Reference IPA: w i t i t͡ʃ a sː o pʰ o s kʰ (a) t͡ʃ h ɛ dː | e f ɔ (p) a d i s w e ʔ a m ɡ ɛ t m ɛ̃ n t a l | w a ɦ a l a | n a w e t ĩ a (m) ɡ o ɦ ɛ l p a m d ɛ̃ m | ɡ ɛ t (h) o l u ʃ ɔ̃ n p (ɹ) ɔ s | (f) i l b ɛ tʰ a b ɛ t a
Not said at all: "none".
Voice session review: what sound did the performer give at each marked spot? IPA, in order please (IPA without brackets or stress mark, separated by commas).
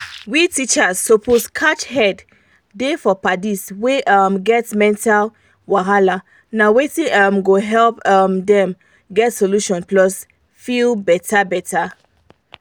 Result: a, p, m, s, l, f